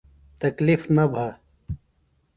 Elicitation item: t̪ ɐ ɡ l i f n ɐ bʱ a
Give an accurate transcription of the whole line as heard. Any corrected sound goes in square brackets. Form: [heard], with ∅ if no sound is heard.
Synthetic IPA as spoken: t̪ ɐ [k] l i f n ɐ bʱ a